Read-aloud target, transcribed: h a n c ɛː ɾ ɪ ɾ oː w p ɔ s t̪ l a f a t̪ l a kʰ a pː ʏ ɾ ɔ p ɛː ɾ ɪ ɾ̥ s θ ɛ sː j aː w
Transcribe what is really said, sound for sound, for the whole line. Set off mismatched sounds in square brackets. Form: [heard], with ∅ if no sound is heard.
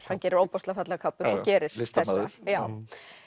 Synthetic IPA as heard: h a n c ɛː ɾ ɪ ɾ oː w p ɔ s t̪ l a f a t̪ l a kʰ a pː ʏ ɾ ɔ [c] ɛː ɾ ɪ ɾ̥ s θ ɛ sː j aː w